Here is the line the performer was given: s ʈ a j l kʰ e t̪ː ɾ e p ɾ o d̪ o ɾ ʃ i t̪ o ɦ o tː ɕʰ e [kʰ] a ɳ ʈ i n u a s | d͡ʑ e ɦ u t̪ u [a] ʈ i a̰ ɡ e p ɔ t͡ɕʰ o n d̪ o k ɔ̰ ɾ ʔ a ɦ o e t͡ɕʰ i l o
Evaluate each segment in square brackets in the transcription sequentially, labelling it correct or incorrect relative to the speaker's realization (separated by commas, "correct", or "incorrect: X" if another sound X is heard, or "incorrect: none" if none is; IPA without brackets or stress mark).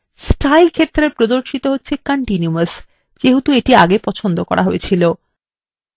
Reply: incorrect: k, incorrect: e